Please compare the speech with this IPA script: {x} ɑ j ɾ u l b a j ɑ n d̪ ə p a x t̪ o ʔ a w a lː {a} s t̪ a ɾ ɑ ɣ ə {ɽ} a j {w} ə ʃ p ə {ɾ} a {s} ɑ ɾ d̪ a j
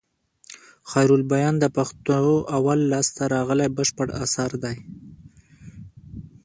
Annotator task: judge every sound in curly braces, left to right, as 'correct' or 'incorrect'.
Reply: correct, incorrect, incorrect, incorrect, incorrect, correct

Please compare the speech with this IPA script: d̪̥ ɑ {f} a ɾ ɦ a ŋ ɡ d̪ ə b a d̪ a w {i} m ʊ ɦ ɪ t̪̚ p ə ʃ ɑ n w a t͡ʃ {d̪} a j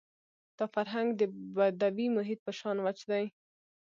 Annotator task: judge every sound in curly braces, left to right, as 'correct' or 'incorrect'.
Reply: correct, correct, correct

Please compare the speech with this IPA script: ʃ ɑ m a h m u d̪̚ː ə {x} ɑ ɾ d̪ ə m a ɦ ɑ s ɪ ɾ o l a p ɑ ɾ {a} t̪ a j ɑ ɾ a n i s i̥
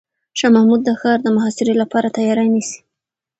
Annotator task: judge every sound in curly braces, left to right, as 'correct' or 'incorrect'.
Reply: correct, correct

